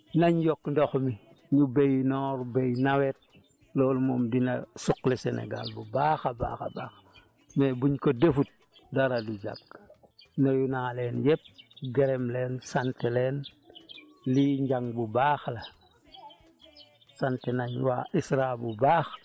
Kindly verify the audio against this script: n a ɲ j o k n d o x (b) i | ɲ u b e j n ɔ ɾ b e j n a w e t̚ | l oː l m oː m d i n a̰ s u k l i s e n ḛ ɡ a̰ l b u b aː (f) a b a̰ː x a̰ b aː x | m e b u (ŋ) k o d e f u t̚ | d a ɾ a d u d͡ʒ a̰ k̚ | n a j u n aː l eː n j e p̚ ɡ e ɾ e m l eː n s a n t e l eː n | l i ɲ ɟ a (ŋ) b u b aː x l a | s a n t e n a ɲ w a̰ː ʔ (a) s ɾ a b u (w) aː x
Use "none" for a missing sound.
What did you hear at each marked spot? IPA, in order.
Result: m, x, ɲ, ŋ, i, b

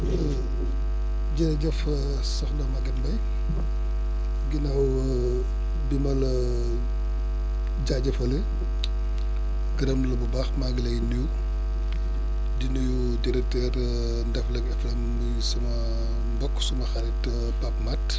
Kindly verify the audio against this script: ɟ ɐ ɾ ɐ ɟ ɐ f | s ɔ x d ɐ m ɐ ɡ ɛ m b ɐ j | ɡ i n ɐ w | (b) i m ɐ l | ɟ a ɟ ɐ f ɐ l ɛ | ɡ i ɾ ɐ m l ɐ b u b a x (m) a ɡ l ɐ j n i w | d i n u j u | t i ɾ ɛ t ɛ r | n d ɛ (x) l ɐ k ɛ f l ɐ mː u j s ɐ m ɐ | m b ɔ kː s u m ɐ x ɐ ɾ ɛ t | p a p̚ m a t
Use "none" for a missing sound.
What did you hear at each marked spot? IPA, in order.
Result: b, m, f

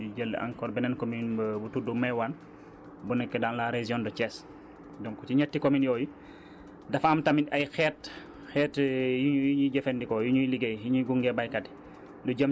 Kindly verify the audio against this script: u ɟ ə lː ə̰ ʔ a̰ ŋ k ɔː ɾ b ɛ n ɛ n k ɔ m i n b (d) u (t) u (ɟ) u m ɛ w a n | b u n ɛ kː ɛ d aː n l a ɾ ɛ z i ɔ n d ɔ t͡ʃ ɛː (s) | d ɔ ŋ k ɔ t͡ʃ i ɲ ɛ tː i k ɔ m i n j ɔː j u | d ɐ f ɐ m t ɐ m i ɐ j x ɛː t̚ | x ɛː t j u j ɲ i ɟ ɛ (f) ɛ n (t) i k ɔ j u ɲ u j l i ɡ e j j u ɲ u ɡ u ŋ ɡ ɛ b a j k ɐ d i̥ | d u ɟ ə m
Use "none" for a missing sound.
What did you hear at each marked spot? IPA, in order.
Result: b, t, d, s, f, d

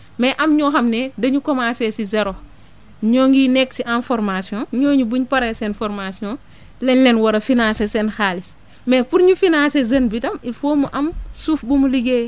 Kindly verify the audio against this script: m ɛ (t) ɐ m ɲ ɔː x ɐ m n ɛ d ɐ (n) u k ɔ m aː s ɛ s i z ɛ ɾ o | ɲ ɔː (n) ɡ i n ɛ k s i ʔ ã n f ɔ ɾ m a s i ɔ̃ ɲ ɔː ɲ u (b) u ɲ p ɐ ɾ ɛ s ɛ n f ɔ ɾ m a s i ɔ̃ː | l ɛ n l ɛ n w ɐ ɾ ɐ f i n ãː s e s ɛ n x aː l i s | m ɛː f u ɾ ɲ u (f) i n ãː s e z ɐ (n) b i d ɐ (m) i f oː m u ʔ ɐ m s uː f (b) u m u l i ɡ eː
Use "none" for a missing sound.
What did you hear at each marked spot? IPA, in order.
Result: ʔ, ɲ, ŋ, b, f, n, m, b

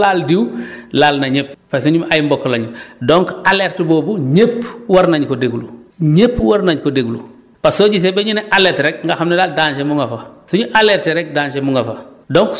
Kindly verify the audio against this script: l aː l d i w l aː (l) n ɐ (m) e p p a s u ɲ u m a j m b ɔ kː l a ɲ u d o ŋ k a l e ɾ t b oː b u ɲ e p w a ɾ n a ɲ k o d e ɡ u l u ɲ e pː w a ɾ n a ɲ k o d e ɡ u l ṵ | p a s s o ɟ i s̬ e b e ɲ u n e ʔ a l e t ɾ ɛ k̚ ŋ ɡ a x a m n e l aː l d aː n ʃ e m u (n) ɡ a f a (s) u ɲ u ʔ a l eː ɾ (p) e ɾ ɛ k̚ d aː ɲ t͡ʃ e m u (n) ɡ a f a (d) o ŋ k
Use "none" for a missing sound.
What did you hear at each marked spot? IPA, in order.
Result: l, ɲ, ŋ, s, t, ŋ, d

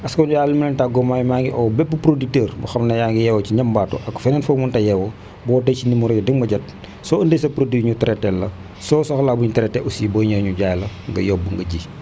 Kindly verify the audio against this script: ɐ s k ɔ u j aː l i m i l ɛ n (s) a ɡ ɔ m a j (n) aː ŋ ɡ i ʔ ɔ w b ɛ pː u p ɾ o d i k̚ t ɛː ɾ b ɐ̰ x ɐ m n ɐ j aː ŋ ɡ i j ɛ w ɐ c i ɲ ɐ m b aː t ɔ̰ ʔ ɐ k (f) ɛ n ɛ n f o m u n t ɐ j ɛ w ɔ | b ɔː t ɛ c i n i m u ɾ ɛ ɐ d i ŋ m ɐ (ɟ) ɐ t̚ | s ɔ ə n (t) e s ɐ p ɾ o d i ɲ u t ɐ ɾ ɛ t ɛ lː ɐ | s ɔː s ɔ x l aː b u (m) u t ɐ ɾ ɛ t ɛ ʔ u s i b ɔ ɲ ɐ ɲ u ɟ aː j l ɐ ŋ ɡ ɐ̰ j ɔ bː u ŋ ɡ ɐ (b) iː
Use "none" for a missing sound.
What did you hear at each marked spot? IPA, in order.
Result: t, m, f, ɟ, d, ɲ, ɟ

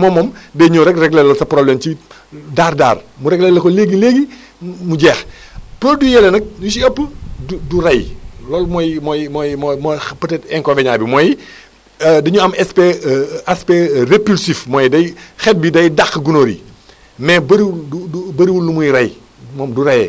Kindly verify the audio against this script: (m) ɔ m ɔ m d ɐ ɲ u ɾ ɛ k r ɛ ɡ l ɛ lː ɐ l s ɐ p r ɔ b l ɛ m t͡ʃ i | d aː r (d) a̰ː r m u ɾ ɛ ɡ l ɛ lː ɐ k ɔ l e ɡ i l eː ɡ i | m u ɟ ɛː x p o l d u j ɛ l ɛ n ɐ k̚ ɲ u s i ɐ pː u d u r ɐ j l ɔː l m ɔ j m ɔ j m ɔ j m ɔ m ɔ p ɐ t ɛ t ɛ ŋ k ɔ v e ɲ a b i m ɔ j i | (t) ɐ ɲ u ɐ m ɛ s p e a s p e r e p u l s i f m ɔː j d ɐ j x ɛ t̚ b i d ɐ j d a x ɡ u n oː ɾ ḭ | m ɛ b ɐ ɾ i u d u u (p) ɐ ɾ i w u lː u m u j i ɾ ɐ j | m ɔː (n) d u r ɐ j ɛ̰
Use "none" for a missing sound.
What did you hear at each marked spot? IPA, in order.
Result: m, d, d, b, m

